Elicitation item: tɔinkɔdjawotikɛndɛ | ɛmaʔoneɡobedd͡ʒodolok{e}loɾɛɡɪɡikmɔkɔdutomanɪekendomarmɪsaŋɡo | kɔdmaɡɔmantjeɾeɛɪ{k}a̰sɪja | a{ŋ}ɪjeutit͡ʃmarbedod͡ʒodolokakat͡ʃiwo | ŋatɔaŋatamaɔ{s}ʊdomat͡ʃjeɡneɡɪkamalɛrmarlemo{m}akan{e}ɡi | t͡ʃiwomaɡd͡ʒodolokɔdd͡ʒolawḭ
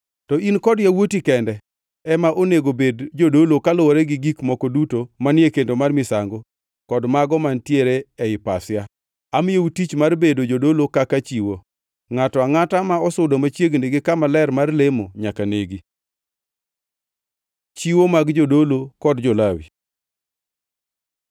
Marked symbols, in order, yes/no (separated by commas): no, no, no, yes, no, yes